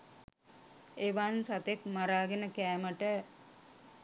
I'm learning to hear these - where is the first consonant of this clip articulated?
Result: lips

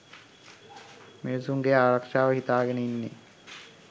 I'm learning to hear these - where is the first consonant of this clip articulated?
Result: lips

